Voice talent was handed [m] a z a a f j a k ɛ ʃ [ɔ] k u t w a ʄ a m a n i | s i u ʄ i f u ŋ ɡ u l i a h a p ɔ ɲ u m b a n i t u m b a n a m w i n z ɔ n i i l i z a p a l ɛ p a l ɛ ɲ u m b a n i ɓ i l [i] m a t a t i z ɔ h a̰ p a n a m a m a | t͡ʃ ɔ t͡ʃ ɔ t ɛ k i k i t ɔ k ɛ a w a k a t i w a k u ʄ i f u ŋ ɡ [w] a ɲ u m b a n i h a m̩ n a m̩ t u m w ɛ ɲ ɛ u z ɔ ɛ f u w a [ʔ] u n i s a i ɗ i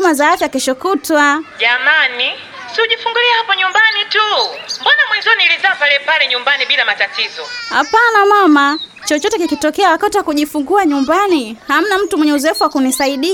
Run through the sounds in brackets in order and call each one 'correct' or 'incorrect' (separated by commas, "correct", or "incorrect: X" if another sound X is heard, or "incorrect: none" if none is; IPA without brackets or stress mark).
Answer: correct, correct, incorrect: a, incorrect: u, incorrect: k